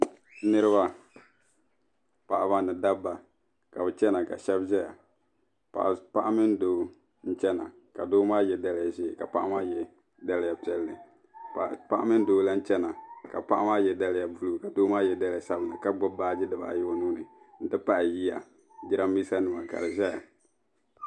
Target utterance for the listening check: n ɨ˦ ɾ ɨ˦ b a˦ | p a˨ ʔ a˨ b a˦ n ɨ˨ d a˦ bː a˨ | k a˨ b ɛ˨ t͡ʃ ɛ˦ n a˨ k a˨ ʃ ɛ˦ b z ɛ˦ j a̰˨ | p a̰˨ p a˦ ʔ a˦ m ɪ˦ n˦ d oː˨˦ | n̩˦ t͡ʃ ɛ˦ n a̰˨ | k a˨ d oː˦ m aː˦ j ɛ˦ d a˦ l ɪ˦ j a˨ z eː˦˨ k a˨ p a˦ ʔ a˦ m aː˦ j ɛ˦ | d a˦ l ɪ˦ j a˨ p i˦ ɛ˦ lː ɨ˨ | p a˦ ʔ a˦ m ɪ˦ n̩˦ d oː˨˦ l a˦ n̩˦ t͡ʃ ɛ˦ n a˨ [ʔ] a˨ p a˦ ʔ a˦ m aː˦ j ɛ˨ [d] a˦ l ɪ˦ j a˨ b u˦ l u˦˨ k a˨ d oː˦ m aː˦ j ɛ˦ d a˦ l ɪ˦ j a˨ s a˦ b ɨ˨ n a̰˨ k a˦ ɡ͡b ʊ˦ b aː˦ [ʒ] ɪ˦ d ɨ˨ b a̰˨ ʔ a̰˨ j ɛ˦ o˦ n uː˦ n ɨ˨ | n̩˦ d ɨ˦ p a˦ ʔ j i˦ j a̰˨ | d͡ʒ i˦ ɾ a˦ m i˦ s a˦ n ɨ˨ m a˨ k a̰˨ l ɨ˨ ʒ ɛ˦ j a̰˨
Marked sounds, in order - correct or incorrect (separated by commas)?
incorrect, correct, incorrect